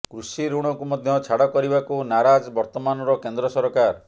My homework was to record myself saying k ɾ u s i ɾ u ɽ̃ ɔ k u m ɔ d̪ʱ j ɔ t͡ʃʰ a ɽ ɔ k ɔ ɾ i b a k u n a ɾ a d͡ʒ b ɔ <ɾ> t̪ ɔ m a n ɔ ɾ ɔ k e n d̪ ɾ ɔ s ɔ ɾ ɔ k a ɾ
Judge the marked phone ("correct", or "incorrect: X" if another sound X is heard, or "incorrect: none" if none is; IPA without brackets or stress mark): correct